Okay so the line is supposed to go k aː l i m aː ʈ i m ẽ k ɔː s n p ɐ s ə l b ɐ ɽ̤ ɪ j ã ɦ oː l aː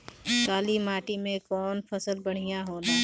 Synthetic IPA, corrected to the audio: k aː l i m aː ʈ i m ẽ k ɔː n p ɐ s ə l b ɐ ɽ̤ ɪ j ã ɦ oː l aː